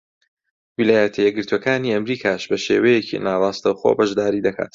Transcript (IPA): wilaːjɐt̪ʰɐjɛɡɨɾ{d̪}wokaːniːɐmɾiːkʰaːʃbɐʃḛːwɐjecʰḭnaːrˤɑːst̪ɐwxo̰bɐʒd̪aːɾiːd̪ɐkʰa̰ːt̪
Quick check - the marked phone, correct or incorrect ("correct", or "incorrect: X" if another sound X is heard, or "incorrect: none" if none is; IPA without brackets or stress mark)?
incorrect: t̪